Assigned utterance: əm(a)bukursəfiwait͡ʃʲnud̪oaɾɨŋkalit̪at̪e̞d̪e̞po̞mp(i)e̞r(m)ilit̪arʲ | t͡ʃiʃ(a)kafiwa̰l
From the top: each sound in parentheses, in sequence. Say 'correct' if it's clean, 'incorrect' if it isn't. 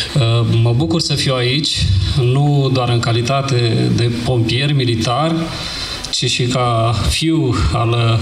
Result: incorrect: ə, correct, correct, incorrect: i

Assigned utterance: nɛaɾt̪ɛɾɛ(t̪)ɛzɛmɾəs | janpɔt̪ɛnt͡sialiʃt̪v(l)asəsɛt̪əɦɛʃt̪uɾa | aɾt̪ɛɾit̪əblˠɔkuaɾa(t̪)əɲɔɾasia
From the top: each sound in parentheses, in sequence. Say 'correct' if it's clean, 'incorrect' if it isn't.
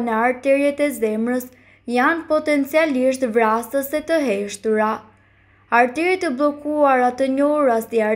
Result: correct, incorrect: ɾ, correct

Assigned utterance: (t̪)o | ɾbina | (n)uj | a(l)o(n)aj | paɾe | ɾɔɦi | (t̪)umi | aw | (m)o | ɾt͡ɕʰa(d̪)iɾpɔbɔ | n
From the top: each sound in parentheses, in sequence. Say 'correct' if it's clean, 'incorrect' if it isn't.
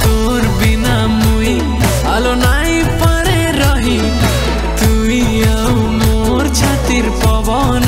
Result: correct, incorrect: m, correct, correct, correct, correct, incorrect: t̪

